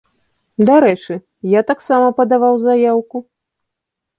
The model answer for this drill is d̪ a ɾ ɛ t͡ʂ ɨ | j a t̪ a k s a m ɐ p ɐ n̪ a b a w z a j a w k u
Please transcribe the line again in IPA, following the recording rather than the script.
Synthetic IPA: d̪ a ɾ ɛ t͡ʂ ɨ | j a t̪ a k s a m ɐ p ɐ d̪ a v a w z a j a w k u